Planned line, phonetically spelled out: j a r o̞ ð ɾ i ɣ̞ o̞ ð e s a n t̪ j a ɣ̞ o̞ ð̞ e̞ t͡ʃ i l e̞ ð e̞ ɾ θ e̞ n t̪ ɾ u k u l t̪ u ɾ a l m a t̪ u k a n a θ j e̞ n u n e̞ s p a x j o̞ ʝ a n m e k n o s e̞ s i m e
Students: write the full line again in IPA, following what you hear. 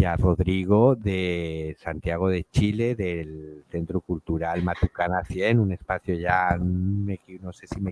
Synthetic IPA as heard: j a r o̞ ð ɾ i ɣ̞ o̞ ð e s a n t̪ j a ɣ̞ o̞ ð̞ e̞ t͡ʃ i l e̞ ð e̞ l θ e̞ n t̪ ɾ u k u l t̪ u ɾ a l m a t̪ u k a n a θ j e̞ n u n e̞ s p a θ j o̞ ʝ a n m e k n o s e̞ s i m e